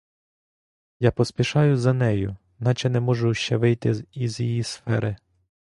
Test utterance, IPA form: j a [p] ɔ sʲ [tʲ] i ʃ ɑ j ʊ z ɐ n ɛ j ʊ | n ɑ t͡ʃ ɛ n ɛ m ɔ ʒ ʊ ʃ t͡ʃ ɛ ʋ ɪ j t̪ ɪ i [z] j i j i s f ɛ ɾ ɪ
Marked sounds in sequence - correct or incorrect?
correct, incorrect, correct

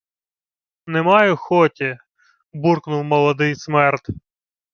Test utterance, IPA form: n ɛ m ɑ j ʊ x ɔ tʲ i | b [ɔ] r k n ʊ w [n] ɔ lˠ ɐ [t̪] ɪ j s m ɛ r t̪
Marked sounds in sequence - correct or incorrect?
incorrect, incorrect, incorrect

